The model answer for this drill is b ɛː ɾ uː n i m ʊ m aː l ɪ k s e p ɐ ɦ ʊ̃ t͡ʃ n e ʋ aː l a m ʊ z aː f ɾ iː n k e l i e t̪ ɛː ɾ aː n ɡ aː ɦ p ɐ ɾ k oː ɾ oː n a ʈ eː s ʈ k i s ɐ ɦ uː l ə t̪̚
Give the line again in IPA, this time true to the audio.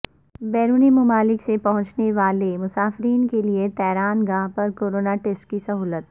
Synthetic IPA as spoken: b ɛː ɾ uː n i m ʊ m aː l ɪ k s e p ɐ ɦ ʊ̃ t͡ʃ n e ʋ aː l e m ʊ s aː f ɾ iː n k e l i e t̪ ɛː ɾ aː n ɡ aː ɦ p ɐ ɾ k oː ɾ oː n a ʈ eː s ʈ k i s ɐ ɦ uː l ə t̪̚